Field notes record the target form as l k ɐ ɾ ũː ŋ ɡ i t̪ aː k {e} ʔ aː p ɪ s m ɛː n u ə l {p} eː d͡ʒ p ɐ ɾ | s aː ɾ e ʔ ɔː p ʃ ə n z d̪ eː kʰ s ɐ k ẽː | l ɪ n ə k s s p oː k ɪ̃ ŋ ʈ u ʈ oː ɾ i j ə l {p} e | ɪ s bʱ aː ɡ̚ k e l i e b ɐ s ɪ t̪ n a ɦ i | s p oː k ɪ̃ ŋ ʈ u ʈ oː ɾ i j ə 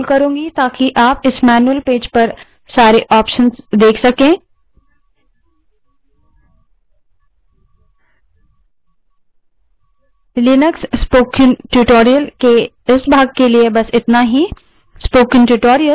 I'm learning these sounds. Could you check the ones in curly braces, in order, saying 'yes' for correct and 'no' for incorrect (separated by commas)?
no, yes, no